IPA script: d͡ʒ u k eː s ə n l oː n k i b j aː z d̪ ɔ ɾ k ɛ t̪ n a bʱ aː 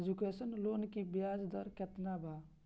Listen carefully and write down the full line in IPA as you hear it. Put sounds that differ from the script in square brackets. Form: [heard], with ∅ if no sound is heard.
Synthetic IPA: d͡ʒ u k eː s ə n l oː n k i b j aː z d̪ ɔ ɾ k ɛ t̪ n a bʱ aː